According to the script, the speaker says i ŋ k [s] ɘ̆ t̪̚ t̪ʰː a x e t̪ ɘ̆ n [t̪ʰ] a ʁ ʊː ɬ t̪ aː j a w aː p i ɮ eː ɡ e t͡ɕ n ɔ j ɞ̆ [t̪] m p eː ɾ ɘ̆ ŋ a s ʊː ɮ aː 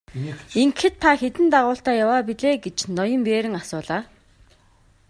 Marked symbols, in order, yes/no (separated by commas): no, no, no